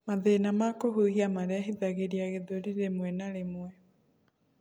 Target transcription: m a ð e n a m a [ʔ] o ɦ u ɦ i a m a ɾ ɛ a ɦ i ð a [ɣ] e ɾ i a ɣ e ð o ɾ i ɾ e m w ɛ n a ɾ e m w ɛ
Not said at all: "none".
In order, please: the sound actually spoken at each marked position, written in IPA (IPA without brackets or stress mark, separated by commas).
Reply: k, ɣ